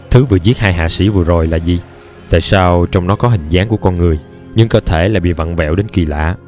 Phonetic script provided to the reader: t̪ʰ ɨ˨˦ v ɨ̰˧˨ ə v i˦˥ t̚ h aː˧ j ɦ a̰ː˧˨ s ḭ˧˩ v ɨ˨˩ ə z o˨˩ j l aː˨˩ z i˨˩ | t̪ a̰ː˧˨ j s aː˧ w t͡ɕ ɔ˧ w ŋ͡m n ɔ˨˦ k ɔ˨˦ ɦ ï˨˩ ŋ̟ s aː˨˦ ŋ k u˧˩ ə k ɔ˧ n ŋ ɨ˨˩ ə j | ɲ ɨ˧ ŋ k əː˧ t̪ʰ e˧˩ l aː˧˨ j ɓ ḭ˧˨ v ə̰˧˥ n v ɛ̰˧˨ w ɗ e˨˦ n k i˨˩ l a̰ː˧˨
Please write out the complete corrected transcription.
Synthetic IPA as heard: t̪ʰ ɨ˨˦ v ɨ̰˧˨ ə z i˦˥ t̚ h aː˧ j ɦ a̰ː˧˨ s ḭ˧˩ v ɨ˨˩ ə z o˨˩ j l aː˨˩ z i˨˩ | t̪ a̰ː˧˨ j s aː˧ w t͡ɕ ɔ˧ w ŋ͡m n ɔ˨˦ k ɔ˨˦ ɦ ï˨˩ ŋ̟ z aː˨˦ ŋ k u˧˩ ə k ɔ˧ n ŋ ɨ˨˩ ə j | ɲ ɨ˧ ŋ k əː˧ t̪ʰ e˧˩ l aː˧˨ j ɓ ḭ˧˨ v ə̰˧˨ n v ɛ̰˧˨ w ɗ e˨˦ n k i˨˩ l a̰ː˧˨

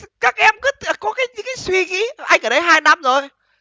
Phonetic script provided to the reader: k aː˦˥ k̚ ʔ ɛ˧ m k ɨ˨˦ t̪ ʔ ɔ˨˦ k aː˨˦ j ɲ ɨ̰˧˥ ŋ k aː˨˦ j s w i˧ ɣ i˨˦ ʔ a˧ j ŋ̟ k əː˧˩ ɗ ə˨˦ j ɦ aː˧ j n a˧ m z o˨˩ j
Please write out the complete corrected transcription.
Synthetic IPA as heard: k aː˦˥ k̚ ʔ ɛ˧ m k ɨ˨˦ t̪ k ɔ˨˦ k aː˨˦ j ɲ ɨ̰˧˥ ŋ k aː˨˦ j s w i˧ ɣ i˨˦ ʔ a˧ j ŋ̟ ʔ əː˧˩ ɗ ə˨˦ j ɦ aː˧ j n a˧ m z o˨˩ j

